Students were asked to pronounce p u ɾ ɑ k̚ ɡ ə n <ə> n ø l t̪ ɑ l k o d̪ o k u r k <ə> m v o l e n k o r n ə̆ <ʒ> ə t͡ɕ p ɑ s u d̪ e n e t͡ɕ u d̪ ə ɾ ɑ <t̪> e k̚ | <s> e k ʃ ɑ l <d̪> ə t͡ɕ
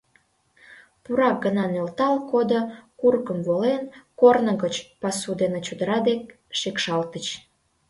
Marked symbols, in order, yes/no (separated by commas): no, yes, no, no, no, no